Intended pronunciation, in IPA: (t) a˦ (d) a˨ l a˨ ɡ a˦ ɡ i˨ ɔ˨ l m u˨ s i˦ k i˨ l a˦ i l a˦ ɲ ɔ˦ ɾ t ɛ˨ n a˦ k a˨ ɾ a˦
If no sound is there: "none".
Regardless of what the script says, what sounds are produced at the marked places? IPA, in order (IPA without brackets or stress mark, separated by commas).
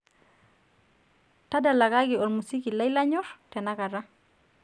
t, d